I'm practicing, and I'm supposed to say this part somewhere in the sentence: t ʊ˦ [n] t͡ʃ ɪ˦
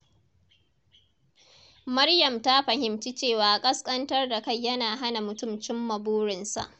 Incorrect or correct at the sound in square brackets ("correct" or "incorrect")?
incorrect